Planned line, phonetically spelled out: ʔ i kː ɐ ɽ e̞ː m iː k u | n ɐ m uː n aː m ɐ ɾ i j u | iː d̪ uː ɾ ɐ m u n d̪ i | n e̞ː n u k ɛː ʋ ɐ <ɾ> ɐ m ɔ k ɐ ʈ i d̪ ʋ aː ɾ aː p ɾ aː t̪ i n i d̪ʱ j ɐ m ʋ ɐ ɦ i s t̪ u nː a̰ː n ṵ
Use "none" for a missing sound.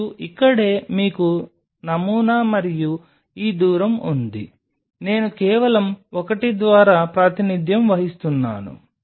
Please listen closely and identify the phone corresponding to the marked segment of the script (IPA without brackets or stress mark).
l